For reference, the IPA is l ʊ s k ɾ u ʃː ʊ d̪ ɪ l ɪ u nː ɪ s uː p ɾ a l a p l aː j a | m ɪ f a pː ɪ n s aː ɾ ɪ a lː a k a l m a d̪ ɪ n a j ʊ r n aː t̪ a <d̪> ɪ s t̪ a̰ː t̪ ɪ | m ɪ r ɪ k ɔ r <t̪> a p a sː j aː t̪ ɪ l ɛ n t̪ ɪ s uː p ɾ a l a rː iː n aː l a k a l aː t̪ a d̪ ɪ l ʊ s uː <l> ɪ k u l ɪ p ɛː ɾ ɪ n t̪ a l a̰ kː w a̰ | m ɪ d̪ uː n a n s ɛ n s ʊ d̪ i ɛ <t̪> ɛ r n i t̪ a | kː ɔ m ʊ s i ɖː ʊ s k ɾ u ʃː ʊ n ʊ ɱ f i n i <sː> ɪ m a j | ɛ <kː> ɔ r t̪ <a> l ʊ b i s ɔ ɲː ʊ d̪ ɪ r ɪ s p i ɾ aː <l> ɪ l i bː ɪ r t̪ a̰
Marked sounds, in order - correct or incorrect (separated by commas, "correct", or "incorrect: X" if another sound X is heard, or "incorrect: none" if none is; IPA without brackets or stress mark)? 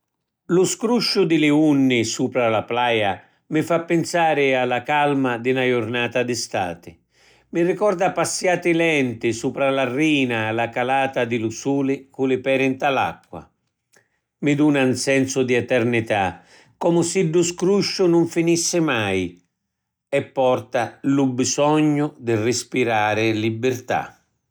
correct, incorrect: d̪, correct, correct, correct, incorrect: pː, correct, incorrect: ɾ